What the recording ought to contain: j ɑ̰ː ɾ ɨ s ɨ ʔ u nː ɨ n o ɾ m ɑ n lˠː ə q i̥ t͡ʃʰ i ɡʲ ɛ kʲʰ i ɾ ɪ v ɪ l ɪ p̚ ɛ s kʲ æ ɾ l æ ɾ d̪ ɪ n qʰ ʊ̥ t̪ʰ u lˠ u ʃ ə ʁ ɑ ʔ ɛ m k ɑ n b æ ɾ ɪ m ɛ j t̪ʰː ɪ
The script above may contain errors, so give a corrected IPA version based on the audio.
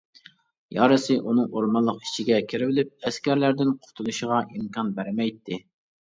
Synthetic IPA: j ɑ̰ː ɾ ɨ s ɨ ʔ u n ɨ ŋ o ɾ m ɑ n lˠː ə q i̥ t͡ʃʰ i ɡʲ ɛ kʲʰ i ɾ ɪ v ɪ l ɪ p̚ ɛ s kʲ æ ɾ l æ ɾ d̪ ɪ n qʰ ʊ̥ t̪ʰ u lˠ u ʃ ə ʁ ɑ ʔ i m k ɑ n b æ ɾ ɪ m ɛ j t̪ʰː ɪ